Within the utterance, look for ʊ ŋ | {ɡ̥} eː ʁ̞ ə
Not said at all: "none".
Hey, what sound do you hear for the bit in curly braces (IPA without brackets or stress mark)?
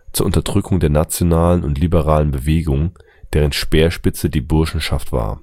d̥